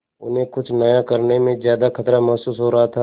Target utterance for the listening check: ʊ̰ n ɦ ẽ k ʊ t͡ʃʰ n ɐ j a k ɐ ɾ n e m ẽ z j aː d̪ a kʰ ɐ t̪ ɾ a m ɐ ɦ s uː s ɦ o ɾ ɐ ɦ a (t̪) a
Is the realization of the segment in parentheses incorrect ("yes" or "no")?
yes